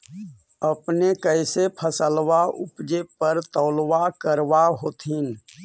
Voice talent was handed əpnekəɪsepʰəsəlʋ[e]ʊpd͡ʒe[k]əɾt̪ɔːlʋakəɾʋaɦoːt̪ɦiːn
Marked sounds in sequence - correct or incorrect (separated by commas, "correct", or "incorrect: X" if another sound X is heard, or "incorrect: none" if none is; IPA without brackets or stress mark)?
incorrect: a, incorrect: p